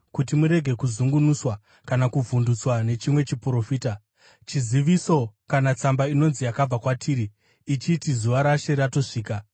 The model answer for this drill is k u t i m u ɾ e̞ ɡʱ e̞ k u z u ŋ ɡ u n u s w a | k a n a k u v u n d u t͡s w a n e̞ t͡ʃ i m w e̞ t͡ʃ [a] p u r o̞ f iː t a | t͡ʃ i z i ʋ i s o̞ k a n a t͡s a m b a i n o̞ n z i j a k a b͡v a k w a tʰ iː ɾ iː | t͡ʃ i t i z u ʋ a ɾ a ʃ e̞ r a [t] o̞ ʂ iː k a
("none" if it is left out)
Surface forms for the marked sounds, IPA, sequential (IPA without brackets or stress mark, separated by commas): i, t